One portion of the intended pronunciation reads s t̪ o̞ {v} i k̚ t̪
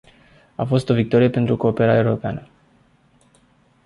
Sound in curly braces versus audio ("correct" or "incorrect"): correct